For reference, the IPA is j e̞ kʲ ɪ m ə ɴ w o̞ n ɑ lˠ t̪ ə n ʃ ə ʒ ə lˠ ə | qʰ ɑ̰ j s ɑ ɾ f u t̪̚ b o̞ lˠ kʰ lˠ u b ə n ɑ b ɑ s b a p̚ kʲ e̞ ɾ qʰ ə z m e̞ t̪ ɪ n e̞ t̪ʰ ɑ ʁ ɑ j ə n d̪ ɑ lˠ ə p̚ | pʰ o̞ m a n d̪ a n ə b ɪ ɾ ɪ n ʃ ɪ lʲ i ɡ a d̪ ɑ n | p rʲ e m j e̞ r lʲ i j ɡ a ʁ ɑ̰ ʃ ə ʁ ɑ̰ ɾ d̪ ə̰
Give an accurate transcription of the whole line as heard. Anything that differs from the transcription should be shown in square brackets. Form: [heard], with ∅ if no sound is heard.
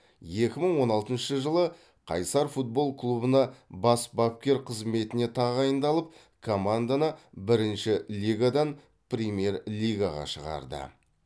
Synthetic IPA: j e̞ kʲ ɪ m ə ɴ w o̞ n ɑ lˠ t̪ ə n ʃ ə ʒ ə lˠ ə | qʰ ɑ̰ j s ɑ ɾ f u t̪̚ b o̞ lˠ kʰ lˠ u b ə n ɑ b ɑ s b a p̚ kʲ e̞ ɾ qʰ ə z m e̞ t̪ ɪ n e̞ t̪ʰ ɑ ʁ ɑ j ə n d̪ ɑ lˠ ə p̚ | [kʰ] o̞ m a n d̪ a n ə b ɪ ɾ ɪ n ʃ ɪ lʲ i ɡ a d̪ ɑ n | p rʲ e m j e̞ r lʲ i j ɡ a ʁ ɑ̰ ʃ ə ʁ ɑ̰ ɾ d̪ ə̰

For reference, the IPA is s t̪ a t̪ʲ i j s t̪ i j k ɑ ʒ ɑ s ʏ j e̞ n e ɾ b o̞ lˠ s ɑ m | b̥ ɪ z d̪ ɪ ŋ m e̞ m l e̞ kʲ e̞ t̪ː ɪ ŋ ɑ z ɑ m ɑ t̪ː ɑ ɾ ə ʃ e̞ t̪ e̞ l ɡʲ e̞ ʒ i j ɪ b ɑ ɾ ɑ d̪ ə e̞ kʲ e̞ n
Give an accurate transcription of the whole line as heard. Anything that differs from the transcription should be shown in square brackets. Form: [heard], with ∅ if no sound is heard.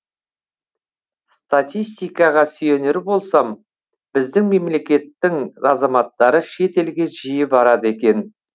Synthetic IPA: s t̪ a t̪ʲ i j s t̪ i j k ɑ [ʁ] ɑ s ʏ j e̞ n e ɾ b o̞ lˠ s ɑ m | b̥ ɪ z d̪ ɪ ŋ m e̞ m l e̞ kʲ e̞ t̪ː ɪ ŋ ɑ z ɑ m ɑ t̪ː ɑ ɾ ə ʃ e̞ t̪ e̞ l ɡʲ e̞ ʒ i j ɪ b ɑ ɾ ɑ d̪ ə e̞ kʲ e̞ n

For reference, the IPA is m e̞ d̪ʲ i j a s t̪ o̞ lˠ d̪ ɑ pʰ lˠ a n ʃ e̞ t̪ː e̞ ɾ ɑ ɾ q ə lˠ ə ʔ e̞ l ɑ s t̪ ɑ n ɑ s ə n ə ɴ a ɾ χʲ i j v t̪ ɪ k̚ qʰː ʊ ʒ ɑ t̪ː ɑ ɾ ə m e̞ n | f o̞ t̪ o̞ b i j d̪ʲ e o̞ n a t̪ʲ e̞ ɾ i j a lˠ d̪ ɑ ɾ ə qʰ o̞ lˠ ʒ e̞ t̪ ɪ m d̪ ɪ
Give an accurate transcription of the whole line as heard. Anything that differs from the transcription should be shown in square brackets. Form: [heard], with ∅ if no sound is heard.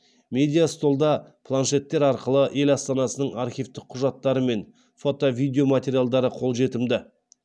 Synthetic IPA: m e̞ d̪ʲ i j a s t̪ o̞ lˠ d̪ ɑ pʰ lˠ a n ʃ e̞ t̪ː e̞ ɾ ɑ ɾ q ə lˠ ə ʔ e̞ l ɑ s t̪ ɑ n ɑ s ə n ə ɴ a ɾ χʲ i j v t̪ ɪ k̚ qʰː ʊ ʒ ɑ t̪ː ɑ ɾ ə m e̞ n | f o̞ t̪ o̞ [v] i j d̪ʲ e o̞ [m] a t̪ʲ e̞ ɾ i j a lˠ d̪ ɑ ɾ ə qʰ o̞ lˠ ʒ e̞ t̪ ɪ m d̪ ɪ

